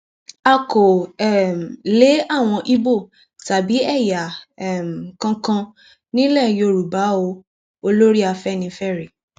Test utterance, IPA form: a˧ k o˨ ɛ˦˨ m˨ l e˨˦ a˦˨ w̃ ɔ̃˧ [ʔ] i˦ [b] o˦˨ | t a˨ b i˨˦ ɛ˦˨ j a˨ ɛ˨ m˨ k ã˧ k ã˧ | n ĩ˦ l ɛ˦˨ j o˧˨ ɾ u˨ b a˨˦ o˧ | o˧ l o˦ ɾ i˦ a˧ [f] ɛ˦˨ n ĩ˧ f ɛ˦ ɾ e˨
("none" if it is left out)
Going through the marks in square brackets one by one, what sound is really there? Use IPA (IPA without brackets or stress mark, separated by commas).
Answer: ʔ, b, f